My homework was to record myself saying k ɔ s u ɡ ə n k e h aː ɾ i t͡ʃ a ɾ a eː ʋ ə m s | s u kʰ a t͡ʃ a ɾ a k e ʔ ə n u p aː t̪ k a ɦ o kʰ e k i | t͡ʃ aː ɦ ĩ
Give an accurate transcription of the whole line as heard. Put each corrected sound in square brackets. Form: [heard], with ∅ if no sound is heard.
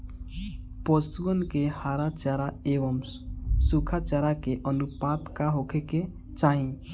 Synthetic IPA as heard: [p] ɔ s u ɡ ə n k e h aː ɾ [a] t͡ʃ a ɾ a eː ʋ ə m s | s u kʰ a t͡ʃ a ɾ a k e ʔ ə n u p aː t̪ k a ɦ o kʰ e k [e] | t͡ʃ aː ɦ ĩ